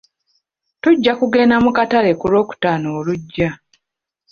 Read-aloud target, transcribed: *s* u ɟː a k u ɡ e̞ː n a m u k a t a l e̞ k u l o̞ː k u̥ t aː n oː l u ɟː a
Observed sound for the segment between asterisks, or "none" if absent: t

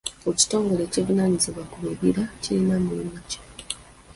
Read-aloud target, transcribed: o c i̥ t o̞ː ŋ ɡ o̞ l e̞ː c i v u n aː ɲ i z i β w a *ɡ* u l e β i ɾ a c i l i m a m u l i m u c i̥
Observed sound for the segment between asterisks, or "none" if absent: k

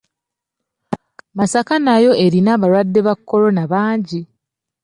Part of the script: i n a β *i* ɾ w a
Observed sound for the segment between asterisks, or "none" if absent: a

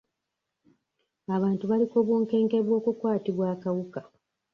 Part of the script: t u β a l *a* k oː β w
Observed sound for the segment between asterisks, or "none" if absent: i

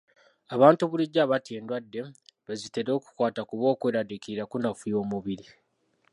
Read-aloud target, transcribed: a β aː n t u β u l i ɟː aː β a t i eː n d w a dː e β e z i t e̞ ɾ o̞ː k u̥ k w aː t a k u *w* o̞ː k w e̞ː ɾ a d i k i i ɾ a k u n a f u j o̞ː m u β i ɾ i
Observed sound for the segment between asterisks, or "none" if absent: β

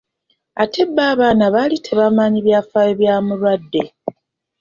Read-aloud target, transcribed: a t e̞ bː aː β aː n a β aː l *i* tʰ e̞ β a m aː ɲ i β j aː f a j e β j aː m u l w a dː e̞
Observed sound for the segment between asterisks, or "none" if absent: i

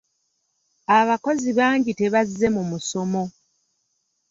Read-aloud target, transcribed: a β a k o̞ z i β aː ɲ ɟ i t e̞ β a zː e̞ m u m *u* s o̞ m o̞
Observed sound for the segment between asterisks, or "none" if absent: u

